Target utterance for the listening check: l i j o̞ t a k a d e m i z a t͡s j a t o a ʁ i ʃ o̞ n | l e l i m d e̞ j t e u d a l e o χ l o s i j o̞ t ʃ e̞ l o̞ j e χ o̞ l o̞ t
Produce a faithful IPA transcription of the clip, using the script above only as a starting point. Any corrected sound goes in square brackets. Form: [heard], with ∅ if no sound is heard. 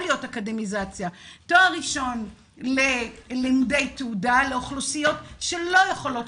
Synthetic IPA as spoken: l i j o̞ t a k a d e m i z a t͡s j a t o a ʁ i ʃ o̞ n | l e l i m d e̞ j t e u d a l e o χ l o s i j o̞ t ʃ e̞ l o̞ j e χ o̞ l o̞ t